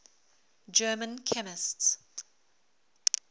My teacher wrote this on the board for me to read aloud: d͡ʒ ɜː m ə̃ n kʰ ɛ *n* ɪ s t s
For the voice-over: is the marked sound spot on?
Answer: no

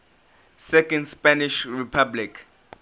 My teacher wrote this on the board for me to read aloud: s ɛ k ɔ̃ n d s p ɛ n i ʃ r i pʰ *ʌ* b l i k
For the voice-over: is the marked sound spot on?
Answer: no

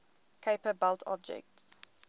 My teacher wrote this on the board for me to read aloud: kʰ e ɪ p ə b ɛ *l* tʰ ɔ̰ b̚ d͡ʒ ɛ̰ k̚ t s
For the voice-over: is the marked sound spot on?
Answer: yes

